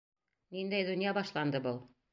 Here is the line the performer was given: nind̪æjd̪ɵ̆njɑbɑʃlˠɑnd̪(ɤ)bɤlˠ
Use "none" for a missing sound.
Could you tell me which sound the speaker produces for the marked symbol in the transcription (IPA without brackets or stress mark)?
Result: ɤ